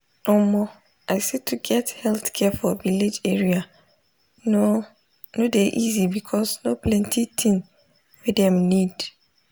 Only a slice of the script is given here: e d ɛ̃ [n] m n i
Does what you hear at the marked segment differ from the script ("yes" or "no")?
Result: yes